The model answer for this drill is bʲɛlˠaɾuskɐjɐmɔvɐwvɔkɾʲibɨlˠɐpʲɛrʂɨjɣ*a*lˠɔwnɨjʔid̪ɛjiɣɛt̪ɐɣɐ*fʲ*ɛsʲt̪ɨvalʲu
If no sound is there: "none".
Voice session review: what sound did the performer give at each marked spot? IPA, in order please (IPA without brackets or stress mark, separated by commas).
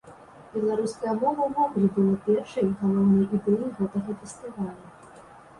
ɐ, fʲ